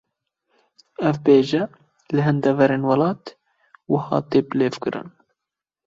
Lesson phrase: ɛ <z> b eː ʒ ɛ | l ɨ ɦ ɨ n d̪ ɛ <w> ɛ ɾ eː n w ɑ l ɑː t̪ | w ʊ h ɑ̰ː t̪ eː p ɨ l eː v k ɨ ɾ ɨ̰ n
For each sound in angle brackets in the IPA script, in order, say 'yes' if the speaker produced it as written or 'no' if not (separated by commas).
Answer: no, no